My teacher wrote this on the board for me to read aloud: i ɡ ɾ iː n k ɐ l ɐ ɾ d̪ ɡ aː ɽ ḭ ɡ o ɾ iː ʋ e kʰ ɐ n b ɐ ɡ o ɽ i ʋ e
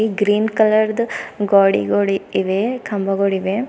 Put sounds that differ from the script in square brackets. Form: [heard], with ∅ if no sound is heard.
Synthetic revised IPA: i ɡ ɾ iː n k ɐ l ɐ ɾ d̪ ɡ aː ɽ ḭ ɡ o [ɽ] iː ʋ e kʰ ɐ [m] b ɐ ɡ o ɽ i ʋ e